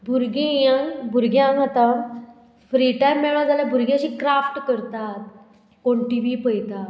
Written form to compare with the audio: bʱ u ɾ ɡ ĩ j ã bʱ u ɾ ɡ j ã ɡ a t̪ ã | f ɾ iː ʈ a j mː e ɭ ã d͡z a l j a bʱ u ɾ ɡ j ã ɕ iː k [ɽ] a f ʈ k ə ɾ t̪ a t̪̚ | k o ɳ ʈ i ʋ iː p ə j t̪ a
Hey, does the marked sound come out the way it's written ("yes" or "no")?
no